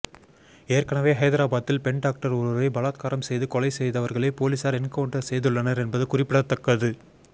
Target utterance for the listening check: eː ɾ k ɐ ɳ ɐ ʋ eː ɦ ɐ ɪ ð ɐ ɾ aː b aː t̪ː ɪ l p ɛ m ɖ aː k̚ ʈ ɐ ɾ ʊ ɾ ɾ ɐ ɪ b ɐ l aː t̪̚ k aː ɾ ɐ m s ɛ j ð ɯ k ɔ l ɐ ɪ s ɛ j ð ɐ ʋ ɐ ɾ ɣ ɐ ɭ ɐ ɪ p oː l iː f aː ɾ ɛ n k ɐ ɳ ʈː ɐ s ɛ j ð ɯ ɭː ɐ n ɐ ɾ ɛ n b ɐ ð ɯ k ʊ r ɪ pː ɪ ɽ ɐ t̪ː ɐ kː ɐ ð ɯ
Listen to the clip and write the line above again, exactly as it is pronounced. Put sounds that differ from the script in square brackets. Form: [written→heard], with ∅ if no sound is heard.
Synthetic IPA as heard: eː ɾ k ɐ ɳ ɐ ʋ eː ɦ ɐ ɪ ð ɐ ɾ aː b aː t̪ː ɪ l p ɛ [m→ɳ] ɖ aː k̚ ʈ ɐ ɾ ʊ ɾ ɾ ɐ ɪ b ɐ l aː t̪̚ k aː ɾ ɐ m s ɛ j ð ɯ k ɔ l ɐ ɪ s ɛ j ð ɐ ʋ ɐ ɾ ɣ ɐ ɭ ɐ ɪ p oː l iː [f→s] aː ɾ ɛ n k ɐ ɳ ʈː ɐ s ɛ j ð ɯ ɭː ɐ n ɐ ɾ ɛ n b ɐ ð ɯ k ʊ r ɪ pː ɪ ɽ ɐ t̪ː ɐ kː ɐ ð ɯ